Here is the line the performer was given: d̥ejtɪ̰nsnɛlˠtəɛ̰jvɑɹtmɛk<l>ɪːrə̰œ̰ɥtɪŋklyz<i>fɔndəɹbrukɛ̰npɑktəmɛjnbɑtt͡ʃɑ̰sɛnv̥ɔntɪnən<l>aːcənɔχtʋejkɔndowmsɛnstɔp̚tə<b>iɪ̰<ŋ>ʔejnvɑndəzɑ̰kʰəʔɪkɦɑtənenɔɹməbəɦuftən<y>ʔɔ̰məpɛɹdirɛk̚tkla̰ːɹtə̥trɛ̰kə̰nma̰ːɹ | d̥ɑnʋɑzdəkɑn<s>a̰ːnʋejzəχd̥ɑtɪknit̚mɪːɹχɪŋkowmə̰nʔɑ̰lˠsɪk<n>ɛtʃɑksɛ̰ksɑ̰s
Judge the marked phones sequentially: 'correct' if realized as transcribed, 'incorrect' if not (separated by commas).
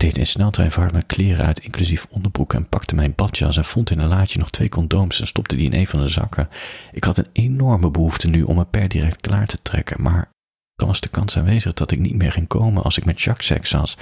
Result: correct, correct, correct, incorrect, incorrect, correct, correct, incorrect